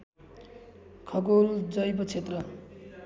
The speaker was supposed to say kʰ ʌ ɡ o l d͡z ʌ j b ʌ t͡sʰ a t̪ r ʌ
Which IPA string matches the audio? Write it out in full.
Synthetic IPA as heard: kʰ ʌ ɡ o l d͡z ʌ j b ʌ t͡sʰ e t̪ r ʌ